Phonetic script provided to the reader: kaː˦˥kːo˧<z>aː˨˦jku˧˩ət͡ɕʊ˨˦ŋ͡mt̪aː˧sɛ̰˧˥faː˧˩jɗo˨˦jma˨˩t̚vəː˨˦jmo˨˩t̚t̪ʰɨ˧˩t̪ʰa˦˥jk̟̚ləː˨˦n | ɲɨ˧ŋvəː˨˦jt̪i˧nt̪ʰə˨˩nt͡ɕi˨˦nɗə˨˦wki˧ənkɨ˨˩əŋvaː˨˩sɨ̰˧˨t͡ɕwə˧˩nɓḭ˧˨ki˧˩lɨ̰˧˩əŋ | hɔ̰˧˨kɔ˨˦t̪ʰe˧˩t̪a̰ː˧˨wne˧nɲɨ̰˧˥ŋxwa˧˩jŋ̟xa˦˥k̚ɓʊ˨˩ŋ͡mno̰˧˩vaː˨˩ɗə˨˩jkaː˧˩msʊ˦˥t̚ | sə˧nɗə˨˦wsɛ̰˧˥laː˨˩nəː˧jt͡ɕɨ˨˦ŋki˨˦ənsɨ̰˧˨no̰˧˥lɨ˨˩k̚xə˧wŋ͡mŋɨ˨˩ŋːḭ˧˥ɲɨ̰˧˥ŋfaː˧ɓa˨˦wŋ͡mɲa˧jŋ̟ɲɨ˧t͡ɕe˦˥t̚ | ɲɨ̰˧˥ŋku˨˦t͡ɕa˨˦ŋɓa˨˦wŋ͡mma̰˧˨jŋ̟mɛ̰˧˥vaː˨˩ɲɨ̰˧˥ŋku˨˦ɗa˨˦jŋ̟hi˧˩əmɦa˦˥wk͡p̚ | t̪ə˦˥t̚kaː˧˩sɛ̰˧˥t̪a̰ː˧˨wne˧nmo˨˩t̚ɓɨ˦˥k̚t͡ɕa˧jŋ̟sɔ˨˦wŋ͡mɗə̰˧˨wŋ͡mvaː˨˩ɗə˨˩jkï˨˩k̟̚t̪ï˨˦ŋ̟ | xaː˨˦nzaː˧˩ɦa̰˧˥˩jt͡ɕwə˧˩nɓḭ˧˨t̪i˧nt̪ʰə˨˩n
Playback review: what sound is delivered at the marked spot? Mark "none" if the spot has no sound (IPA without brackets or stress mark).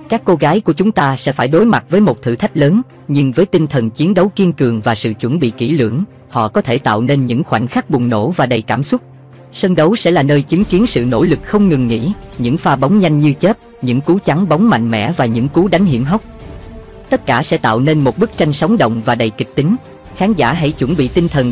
ɣ